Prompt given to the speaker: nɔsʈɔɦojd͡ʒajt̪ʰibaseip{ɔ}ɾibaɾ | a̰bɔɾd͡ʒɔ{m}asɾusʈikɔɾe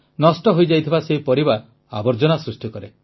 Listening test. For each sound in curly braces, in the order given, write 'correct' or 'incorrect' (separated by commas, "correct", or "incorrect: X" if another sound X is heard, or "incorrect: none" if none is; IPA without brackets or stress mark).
correct, incorrect: n